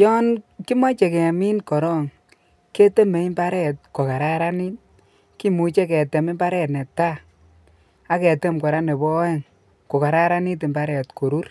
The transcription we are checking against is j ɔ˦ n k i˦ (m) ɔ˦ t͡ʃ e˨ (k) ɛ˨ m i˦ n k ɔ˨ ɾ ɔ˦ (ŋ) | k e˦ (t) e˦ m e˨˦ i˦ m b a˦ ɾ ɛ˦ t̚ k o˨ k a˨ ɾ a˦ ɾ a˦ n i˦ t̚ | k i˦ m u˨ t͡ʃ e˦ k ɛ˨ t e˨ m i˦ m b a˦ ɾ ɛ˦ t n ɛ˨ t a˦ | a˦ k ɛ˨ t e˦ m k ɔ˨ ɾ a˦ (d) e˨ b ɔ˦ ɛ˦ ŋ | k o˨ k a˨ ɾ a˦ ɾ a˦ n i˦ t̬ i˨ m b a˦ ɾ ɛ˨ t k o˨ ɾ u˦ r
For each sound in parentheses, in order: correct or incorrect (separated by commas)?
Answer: correct, correct, correct, correct, incorrect